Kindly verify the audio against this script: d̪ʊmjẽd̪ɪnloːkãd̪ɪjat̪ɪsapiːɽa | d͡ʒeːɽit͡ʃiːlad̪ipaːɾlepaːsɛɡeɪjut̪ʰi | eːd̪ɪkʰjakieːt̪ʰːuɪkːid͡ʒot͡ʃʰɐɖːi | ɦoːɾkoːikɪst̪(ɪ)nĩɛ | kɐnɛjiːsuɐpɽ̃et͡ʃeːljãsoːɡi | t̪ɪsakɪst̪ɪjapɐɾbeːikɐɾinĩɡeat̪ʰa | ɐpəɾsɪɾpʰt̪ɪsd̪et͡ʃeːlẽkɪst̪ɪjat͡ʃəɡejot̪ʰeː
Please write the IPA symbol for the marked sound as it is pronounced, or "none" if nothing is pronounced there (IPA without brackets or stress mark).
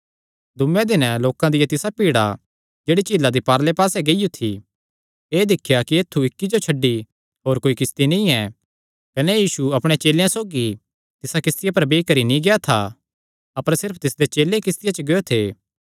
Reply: i